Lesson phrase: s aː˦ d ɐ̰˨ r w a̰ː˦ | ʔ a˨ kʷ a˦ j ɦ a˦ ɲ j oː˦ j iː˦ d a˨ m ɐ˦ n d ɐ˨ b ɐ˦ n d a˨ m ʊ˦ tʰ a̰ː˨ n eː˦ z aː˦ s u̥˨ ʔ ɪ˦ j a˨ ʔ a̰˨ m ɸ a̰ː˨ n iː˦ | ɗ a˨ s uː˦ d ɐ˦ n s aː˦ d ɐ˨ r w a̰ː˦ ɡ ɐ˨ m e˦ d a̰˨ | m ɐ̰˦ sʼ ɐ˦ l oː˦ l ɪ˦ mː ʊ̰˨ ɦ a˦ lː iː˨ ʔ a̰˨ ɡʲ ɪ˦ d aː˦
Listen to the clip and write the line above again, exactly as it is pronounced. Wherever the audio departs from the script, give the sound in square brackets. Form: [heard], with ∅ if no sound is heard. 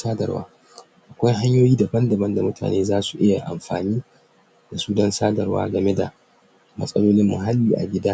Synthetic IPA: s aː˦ d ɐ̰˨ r w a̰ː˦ | ʔ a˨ kʷ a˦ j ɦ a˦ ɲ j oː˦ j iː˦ d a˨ [b] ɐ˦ n d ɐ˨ b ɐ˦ n d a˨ m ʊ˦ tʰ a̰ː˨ n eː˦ z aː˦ s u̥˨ ʔ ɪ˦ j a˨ ʔ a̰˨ m ɸ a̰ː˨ n iː˦ | [d] a˨ s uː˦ d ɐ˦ n s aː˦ d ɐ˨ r w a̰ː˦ ɡ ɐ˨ m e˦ d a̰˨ | m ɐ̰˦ sʼ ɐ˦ l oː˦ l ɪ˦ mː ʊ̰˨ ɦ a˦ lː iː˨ ʔ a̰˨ ɡʲ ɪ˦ d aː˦